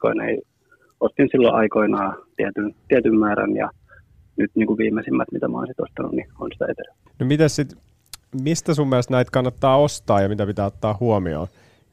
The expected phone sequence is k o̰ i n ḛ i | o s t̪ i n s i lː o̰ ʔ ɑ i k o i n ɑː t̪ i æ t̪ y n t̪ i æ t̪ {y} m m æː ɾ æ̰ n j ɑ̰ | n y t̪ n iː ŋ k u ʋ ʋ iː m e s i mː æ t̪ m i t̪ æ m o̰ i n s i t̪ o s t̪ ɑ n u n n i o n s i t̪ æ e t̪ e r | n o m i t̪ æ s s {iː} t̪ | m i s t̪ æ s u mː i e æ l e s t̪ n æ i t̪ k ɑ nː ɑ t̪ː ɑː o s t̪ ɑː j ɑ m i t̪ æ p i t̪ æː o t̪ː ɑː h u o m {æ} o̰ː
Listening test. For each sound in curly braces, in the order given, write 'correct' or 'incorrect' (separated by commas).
correct, incorrect, incorrect